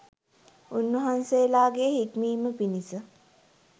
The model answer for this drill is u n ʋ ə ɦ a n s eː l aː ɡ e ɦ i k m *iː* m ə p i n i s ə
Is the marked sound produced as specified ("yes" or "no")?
yes